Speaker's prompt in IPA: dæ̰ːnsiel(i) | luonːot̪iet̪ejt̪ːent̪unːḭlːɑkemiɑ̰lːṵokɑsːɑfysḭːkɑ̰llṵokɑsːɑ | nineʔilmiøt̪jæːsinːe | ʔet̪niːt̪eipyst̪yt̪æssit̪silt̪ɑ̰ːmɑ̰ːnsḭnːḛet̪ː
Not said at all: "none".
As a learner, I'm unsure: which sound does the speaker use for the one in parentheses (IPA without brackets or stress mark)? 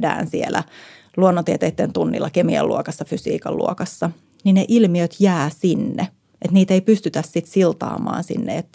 æ